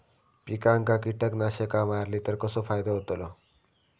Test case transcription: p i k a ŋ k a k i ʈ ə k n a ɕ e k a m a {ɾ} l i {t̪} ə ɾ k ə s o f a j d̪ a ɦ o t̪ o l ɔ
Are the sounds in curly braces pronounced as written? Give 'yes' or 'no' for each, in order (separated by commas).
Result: yes, yes